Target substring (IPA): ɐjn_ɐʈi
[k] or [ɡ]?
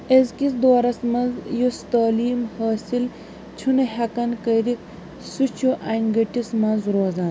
ɡ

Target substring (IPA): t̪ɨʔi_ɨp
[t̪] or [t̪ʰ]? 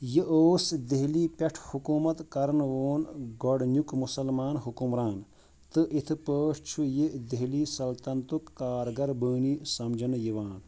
t̪ʰ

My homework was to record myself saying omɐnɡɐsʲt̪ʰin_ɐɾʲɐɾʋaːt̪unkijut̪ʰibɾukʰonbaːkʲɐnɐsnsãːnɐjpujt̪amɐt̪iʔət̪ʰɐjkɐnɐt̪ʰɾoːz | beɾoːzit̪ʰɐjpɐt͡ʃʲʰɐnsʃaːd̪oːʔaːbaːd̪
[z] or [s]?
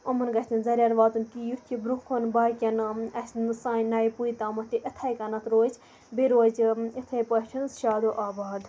z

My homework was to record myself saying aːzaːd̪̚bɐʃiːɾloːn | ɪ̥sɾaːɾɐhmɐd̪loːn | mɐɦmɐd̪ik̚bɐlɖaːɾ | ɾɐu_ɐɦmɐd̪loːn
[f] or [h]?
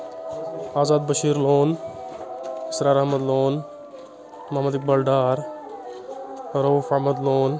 f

